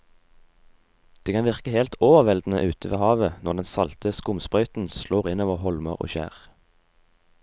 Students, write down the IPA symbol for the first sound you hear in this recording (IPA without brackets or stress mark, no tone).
d̪̥